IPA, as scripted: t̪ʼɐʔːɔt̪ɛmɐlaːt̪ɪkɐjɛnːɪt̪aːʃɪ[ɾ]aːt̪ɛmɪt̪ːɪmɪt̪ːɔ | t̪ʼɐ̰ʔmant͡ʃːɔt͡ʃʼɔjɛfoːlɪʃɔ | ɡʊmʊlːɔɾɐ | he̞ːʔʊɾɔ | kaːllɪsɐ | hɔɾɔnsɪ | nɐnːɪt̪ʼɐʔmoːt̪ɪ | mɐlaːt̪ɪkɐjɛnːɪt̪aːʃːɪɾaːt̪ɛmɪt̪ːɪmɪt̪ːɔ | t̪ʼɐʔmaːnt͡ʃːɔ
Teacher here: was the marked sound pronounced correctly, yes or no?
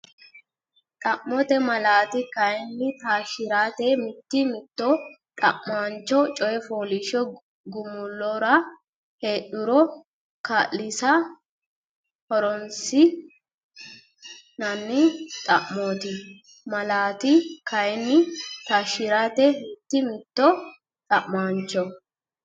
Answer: yes